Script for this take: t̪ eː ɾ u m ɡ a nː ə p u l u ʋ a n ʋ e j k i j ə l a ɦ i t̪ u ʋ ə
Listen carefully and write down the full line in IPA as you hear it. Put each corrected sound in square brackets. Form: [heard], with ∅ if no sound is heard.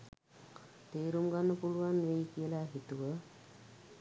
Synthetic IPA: t̪ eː ɾ u m ɡ a nː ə p u l u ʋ a n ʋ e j k i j ə l a ɦ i t̪ u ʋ ə